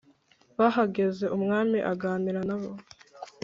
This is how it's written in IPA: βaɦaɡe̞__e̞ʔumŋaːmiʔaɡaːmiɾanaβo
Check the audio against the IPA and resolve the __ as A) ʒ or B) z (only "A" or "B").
B